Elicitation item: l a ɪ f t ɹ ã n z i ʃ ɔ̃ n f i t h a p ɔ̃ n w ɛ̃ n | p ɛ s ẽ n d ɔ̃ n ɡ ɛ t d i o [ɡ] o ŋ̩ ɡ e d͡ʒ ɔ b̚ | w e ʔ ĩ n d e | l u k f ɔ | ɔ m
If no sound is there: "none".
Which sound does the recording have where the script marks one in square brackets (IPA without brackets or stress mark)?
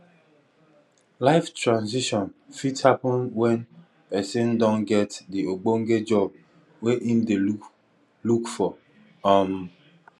ɡ͡b